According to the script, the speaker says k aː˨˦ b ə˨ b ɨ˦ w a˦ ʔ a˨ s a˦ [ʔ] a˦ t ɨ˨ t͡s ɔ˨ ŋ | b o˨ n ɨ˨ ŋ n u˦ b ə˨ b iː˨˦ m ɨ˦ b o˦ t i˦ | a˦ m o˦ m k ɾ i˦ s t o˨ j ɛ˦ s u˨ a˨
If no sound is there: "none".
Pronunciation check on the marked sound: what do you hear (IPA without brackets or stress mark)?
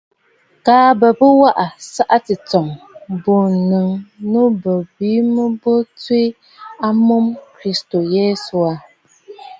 ʔ